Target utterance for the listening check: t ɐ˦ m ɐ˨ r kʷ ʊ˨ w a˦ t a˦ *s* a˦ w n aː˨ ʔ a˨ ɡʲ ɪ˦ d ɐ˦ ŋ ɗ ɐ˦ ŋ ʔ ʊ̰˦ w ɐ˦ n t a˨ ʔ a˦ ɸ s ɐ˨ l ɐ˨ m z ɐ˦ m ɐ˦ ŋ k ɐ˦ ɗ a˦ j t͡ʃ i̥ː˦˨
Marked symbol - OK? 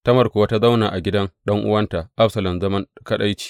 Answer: no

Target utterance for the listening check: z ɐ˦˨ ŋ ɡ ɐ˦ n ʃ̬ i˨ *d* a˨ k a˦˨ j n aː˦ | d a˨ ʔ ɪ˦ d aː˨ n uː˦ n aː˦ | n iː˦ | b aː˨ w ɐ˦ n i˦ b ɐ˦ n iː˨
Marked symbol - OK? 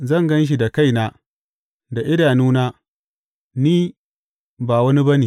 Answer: yes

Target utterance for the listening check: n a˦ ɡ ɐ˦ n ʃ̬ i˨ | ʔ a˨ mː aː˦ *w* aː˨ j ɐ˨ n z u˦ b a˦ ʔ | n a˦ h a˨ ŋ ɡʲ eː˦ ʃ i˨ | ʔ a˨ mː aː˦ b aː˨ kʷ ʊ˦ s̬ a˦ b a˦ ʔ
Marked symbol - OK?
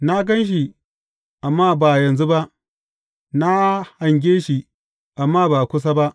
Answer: no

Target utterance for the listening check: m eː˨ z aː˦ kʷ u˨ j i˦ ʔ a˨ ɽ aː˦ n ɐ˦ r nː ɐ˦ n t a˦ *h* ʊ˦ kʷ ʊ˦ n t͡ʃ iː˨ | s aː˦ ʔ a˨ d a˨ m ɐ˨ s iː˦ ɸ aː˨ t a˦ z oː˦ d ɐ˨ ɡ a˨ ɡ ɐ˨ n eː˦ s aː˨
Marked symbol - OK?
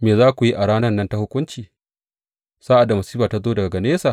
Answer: yes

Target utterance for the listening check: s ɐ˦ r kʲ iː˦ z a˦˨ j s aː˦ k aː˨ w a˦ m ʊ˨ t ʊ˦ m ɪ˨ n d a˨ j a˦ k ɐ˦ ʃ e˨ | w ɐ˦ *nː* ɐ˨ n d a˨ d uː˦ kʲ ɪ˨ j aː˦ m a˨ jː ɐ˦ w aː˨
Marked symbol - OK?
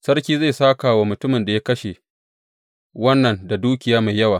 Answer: yes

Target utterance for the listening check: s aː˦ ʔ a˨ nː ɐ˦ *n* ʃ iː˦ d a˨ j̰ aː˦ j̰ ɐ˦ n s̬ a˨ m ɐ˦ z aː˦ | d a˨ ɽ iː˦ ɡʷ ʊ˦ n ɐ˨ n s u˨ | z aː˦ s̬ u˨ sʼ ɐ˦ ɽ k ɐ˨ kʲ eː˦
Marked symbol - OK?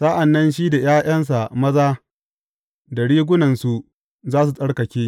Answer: yes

